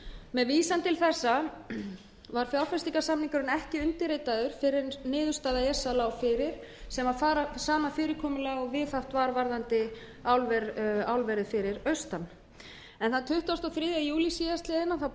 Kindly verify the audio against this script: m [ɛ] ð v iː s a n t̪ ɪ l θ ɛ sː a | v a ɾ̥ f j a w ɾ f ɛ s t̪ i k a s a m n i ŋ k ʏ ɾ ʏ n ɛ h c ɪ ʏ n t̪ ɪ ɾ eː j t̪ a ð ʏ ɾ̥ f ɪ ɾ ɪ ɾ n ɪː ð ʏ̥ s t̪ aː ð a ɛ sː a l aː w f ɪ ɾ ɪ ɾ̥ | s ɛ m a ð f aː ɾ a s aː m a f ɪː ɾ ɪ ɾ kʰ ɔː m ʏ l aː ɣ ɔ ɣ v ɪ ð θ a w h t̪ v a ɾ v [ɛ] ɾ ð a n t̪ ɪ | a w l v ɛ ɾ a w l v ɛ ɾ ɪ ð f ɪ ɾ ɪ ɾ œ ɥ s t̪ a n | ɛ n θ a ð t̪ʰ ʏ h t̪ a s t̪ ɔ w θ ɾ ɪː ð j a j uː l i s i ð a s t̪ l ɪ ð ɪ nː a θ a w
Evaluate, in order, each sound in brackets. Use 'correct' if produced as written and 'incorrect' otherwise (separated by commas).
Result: correct, incorrect